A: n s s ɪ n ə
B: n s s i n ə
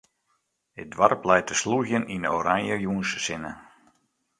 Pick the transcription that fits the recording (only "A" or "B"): A